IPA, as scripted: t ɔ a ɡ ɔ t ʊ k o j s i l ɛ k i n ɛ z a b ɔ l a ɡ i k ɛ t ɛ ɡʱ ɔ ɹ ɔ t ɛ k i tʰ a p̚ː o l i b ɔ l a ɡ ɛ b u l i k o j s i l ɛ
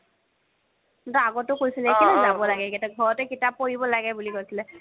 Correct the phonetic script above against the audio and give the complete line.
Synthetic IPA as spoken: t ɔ a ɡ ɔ t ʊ k o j s i l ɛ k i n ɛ z a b ɔ l a ɡ ɛ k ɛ t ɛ ɡʱ ɔ ɹ ɔ t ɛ k i t a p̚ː o ɹ i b ɔ l a ɡ ɛ b u l i k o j s i l ɛ